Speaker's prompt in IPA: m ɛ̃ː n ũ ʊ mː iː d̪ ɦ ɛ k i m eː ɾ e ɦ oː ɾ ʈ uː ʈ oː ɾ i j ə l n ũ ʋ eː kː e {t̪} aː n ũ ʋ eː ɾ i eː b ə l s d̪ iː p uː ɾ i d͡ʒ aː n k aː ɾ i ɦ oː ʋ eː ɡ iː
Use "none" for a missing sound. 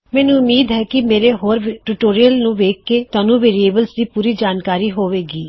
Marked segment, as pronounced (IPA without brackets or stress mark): t̪